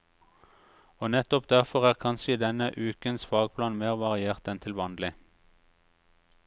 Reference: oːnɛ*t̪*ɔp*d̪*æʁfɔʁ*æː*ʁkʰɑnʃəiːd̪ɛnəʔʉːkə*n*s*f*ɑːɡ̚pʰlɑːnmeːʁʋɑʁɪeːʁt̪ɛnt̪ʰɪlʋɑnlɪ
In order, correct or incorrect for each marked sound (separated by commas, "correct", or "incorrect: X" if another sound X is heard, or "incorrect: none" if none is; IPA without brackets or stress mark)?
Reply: correct, correct, correct, correct, correct